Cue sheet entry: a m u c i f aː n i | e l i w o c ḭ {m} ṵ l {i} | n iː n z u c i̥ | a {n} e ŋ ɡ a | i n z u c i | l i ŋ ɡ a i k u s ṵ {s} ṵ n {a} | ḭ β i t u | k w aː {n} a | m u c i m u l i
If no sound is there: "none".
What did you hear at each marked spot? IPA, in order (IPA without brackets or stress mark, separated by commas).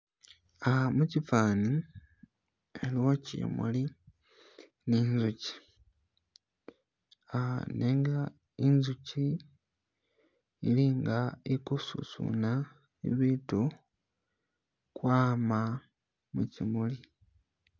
m, i, n, s, a, m